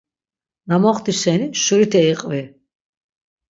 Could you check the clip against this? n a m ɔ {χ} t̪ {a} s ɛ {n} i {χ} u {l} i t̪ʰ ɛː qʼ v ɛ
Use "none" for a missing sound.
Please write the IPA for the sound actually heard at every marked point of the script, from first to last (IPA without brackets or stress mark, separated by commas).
χ, i, n, ʃ, ɾ